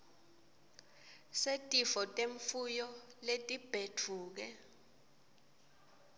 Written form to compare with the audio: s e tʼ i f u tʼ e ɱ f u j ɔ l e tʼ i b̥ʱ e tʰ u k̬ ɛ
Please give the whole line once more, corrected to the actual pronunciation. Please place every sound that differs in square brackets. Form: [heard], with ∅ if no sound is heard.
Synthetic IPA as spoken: s e tʼ i f [ɔ] tʼ e ɱ f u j ɔ l e tʼ i b̥ʱ e tʰ [uː] k̬ ɛ